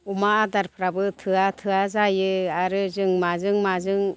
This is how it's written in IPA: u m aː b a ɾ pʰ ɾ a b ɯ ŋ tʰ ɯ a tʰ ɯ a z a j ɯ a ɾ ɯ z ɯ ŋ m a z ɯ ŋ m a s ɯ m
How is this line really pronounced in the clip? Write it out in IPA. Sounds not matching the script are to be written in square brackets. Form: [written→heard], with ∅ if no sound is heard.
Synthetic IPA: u m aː [b→d] a ɾ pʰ ɾ a b ɯ [ŋ→∅] tʰ ɯ a tʰ ɯ a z a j ɯ a ɾ ɯ z ɯ ŋ m a z ɯ ŋ m a [s→z] ɯ [m→ŋ]